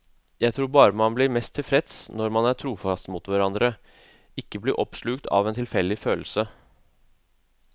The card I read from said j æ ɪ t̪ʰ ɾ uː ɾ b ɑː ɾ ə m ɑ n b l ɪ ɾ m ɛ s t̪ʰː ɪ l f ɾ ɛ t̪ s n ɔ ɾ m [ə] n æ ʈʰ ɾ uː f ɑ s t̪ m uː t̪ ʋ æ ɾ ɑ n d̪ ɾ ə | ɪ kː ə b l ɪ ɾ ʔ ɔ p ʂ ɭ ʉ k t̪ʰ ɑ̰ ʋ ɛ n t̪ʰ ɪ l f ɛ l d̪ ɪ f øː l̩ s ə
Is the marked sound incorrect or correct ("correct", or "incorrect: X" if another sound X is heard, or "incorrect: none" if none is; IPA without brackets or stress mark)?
incorrect: ɑ